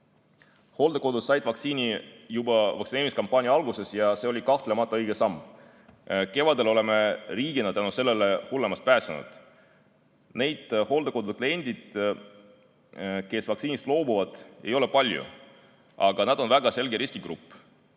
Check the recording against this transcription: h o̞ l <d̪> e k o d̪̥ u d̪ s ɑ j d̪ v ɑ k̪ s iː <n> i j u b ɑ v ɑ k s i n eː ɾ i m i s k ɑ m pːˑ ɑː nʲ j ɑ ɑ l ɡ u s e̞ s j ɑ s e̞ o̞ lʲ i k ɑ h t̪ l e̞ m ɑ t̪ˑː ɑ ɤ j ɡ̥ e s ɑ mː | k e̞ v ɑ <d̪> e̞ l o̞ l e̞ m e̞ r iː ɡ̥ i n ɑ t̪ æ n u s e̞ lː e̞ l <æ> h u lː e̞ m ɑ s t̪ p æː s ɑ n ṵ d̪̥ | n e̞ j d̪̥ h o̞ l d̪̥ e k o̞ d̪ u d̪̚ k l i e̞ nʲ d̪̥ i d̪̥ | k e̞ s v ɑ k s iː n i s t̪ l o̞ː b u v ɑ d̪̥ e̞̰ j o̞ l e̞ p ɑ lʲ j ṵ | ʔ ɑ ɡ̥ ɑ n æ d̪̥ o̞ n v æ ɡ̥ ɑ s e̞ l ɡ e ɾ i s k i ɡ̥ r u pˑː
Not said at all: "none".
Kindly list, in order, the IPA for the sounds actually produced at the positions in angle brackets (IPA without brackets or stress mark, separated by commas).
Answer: d̪, n, d̪, e